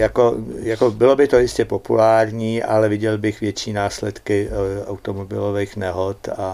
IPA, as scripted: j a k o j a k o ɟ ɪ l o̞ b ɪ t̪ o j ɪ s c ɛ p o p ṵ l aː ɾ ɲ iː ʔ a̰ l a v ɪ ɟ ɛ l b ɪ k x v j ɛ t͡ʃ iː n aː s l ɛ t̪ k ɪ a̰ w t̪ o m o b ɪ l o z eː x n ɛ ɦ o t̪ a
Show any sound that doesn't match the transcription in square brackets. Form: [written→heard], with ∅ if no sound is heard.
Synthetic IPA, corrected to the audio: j a k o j a k o [ɟ→b] ɪ l o̞ b ɪ t̪ o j ɪ s c ɛ p o p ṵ l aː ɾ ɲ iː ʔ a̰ l [a→ɛ] v ɪ ɟ ɛ l b ɪ [k→∅] x v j ɛ t͡ʃ iː n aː s l ɛ t̪ k ɪ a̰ w t̪ o m o b ɪ l o [z→v] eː x n ɛ ɦ o t̪ a